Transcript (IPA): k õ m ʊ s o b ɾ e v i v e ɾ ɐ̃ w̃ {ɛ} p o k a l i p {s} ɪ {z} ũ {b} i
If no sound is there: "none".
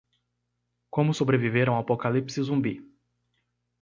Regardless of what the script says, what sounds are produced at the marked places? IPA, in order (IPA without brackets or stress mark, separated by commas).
a, s, z, b